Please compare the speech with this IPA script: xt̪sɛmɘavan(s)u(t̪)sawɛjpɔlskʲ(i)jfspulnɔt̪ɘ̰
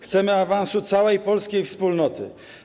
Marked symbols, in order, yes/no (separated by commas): yes, yes, no